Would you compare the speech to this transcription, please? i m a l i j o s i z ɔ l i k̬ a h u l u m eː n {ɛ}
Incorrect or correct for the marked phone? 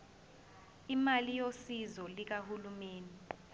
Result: incorrect: i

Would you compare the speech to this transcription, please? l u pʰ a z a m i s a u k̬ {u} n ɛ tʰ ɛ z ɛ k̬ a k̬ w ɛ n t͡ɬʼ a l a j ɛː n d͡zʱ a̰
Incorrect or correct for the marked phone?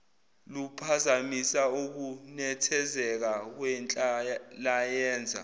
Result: correct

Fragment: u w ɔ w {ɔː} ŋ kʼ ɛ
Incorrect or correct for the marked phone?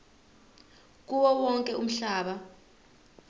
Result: incorrect: ɔ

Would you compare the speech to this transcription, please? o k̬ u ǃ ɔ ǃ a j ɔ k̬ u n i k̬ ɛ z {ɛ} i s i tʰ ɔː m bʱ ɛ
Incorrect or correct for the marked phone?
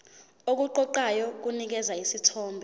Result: incorrect: a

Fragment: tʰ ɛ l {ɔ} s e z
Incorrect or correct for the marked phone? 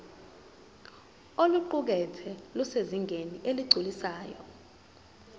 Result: incorrect: u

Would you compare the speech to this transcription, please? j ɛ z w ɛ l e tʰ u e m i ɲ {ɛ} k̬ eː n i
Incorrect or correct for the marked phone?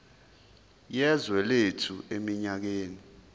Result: incorrect: a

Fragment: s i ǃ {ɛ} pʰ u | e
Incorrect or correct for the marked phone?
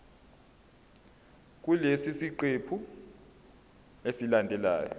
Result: incorrect: e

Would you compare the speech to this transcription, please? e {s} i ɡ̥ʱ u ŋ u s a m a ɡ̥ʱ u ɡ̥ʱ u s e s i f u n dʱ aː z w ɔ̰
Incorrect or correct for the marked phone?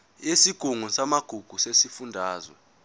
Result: correct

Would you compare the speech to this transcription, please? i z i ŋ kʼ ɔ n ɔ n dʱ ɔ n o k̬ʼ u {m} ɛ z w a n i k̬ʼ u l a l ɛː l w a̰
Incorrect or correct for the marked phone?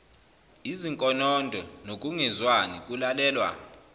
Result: incorrect: ŋ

